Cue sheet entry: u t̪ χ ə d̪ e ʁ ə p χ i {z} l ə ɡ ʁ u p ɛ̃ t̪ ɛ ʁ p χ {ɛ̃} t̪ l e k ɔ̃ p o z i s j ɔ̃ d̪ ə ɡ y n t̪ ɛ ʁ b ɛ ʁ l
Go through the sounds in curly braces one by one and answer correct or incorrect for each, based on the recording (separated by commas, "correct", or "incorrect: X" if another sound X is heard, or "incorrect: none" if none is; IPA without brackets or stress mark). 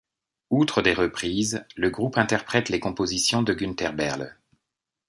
correct, incorrect: ɛ